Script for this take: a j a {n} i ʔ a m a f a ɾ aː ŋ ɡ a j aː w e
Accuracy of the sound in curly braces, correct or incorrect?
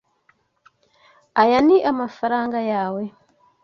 correct